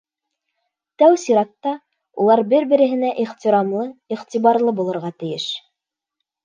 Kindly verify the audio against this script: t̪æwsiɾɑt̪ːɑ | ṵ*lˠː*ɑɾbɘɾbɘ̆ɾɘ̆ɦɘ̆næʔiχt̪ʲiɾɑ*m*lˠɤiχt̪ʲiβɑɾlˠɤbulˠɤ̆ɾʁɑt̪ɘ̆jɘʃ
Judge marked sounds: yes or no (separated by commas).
no, yes